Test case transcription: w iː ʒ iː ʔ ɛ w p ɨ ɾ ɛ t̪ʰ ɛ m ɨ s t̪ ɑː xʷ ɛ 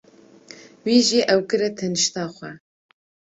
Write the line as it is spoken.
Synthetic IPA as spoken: w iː ʒ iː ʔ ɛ w k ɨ ɾ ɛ t̪ʰ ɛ n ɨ ʃ t̪ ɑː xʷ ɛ